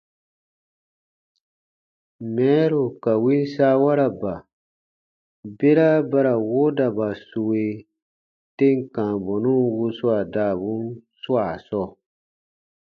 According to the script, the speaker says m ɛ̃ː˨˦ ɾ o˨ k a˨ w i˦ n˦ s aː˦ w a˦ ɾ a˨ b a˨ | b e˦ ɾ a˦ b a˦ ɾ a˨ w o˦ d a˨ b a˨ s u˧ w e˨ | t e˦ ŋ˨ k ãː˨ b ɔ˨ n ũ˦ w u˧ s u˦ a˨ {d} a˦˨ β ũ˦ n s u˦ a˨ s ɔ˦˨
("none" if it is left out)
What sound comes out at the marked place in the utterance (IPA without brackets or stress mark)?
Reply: d